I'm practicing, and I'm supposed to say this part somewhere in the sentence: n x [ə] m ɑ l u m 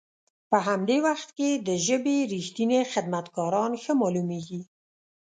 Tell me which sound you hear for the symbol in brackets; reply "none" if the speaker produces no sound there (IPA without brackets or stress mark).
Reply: ə